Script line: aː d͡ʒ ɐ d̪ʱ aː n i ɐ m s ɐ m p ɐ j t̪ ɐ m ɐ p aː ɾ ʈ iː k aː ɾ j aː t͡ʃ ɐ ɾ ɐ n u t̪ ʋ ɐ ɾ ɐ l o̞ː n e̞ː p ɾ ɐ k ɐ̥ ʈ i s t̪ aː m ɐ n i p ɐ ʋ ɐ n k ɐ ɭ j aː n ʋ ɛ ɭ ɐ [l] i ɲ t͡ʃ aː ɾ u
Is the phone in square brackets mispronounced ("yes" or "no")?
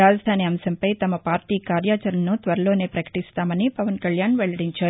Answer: yes